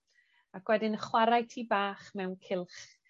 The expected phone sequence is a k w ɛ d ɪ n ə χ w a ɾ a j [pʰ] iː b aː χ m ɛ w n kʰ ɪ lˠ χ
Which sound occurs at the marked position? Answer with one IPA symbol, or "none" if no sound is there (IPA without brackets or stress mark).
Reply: tʰ